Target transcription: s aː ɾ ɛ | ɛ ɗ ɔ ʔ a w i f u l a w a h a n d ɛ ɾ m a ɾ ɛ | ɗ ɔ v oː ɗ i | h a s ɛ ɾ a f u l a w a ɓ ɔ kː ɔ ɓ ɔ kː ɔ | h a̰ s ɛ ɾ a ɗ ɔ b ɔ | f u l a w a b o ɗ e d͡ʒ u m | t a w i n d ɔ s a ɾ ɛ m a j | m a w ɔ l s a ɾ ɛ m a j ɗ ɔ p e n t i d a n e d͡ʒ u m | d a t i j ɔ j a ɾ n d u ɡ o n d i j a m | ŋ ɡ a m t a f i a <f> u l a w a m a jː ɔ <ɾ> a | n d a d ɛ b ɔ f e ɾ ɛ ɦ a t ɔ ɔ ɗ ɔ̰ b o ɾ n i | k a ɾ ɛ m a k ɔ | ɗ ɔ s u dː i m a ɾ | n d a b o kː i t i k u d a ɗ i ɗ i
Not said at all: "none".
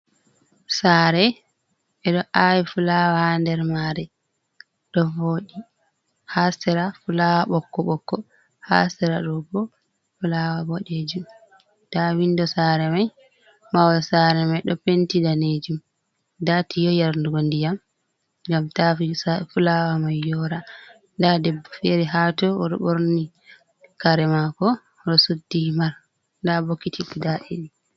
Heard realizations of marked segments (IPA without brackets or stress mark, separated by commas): f, ɾ